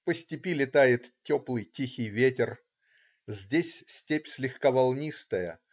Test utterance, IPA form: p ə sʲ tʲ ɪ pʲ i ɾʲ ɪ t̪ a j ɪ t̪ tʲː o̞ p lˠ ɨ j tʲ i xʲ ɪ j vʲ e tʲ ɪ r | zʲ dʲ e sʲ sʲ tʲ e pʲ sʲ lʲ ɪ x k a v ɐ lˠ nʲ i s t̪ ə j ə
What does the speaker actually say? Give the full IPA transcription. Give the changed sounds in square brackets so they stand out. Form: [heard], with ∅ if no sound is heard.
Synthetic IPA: p ə sʲ tʲ ɪ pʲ i [lʲ] ɪ t̪ a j ɪ t̪ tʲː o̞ p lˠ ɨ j tʲ i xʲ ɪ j vʲ e tʲ ɪ r | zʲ dʲ e sʲ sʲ tʲ e pʲ sʲ lʲ ɪ x k a v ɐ lˠ nʲ i s t̪ ə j ə

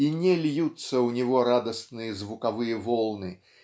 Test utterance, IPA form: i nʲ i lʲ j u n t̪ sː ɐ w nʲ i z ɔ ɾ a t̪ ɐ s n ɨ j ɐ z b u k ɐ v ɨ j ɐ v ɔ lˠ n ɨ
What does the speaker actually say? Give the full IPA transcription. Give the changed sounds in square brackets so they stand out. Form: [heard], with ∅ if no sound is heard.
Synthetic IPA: i nʲ [ɛ] lʲ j u [∅] t̪ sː ɐ w nʲ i [ɣ] ɔ ɾ a [d̪] ɐ s n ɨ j ɐ z [v] u k [a] v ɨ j ɐ v ɔ lˠ n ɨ

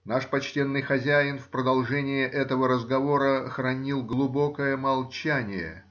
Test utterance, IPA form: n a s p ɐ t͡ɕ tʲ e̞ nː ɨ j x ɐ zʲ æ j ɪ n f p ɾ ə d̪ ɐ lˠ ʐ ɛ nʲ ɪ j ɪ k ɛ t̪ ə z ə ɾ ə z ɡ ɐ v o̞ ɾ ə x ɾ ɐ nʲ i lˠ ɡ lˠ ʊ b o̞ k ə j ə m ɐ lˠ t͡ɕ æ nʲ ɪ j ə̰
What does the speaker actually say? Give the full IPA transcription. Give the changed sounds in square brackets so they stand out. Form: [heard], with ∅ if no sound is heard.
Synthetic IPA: n a [ʂ] p ɐ t͡ɕ tʲ e̞ nː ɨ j x ɐ zʲ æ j ɪ n f p ɾ ə d̪ ɐ lˠ ʐ ɛ nʲ ɪ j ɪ [ʔ] ɛ t̪ ə [v] ə ɾ ə z ɡ ɐ v o̞ ɾ ə x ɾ ɐ nʲ i lˠ ɡ lˠ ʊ b o̞ k ə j ə m ɐ lˠ t͡ɕ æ nʲ ɪ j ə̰

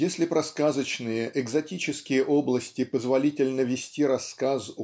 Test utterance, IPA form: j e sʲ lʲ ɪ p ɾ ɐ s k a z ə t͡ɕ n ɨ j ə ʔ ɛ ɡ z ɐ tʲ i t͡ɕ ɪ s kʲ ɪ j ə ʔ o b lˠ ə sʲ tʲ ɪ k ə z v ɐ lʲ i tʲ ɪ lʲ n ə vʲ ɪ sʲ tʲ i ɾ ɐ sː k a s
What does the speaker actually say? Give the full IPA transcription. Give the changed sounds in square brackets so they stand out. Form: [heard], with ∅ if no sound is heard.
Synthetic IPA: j e sʲ lʲ ɪ p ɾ ɐ s k a z ə t͡ɕ n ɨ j ə ʔ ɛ ɡ z ɐ tʲ i t͡ɕ ɪ s kʲ ɪ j ə ʔ o b lˠ ə sʲ tʲ ɪ [p] ə z v ɐ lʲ i tʲ ɪ lʲ n ə vʲ ɪ sʲ tʲ i ɾ ɐ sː k a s

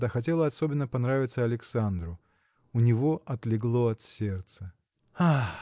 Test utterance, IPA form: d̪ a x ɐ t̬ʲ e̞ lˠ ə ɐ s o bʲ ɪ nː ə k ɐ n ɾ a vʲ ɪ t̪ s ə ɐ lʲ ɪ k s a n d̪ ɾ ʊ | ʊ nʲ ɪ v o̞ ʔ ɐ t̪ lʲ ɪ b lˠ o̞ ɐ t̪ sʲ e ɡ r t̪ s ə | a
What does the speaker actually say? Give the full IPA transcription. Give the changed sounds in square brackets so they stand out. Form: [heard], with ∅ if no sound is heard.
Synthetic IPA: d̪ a x ɐ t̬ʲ e̞ lˠ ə ɐ s o bʲ ɪ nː ə [p] ɐ n ɾ a vʲ ɪ t̪ s ə ɐ lʲ ɪ k s a n d̪ ɾ ʊ | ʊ nʲ ɪ v o̞ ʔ ɐ t̪ lʲ ɪ [ɡ] lˠ o̞ ɐ t̪ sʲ e [∅] r t̪ s ə | a

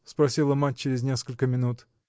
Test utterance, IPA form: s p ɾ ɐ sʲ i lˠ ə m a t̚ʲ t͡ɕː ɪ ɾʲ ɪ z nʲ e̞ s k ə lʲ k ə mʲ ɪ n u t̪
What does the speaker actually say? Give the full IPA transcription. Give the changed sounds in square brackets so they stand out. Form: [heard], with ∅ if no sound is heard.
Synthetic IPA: s p ɾ ɐ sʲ i lˠ ə m a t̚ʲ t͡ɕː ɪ ɾʲ ɪ z nʲ e̞ s k ə lʲ k ə mʲ ɪ n u t̪

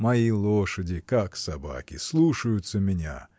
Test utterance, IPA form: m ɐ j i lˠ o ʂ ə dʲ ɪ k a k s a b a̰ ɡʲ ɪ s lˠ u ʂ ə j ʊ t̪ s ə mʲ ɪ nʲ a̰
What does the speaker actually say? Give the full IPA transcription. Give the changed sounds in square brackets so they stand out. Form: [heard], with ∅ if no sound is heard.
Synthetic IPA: m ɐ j i lˠ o ʂ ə dʲ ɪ k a k s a b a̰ [kʲ] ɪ s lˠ u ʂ ə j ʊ t̪ s ə mʲ ɪ nʲ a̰

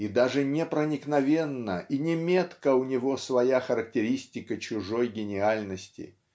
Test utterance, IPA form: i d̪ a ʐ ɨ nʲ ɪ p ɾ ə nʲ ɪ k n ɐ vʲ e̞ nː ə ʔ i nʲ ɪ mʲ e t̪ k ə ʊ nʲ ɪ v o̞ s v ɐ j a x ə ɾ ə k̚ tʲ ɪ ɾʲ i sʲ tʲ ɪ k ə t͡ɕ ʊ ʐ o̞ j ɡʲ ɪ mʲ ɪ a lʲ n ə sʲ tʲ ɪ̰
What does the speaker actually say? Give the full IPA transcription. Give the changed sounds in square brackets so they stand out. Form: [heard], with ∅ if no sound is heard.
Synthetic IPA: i d̪ a ʐ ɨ nʲ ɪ p ɾ ə nʲ ɪ k n ɐ vʲ e̞ nː ə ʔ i nʲ ɪ mʲ e t̪ k ə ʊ nʲ ɪ v o̞ s v ɐ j a x ə ɾ ə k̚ tʲ ɪ ɾʲ i sʲ tʲ ɪ k ə t͡ɕ ʊ ʐ o̞ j ɡʲ ɪ [nʲ] ɪ a lʲ n ə sʲ tʲ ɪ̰

